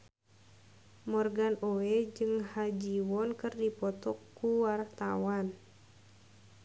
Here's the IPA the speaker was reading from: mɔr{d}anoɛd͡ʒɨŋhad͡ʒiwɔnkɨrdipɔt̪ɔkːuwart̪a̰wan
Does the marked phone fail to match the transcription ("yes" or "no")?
yes